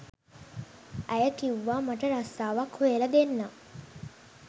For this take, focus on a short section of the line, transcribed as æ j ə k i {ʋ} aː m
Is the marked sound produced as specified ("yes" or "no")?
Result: no